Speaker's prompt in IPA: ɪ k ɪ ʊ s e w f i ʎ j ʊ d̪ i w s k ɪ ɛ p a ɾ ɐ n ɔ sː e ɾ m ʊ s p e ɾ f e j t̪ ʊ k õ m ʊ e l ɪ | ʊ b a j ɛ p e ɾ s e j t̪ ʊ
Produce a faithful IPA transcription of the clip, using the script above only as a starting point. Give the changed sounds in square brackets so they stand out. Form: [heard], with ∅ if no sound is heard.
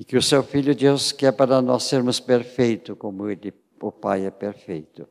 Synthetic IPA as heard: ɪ k ɪ ʊ s e w f i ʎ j ʊ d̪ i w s k ɪ ɛ p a ɾ ɐ n ɔ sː e ɾ m ʊ s p e ɾ f e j t̪ ʊ k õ m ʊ e l ɪ | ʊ [p] a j ɛ p e ɾ [f] e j t̪ ʊ